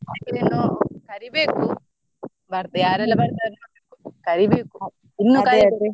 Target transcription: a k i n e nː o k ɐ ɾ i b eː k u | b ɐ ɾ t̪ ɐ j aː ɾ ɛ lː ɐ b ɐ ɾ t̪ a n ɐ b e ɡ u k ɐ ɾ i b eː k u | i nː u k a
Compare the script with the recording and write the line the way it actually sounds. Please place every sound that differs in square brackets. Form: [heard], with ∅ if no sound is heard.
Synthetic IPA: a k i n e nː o k ɐ ɾ i b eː k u | b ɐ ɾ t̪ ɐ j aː ɾ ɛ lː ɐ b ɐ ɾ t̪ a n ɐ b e [k] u k ɐ ɾ i b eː k u | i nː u k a